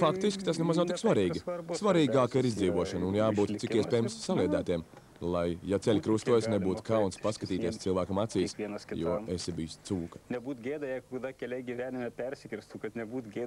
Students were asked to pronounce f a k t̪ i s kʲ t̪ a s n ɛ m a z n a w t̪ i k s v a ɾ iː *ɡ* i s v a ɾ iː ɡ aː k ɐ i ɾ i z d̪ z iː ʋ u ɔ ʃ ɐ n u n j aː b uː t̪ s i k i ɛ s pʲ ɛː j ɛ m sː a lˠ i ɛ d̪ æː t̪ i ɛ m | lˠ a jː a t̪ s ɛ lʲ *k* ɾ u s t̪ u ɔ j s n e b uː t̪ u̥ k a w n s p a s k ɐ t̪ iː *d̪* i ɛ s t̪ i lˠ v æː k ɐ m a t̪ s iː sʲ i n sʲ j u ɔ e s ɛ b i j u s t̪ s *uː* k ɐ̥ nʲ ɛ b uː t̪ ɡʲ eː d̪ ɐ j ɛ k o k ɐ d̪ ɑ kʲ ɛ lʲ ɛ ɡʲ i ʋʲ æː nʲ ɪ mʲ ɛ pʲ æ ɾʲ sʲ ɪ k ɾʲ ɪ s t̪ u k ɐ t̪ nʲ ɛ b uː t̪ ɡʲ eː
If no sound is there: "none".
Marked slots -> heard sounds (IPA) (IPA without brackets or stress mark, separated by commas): ɡ, k, t̪, uː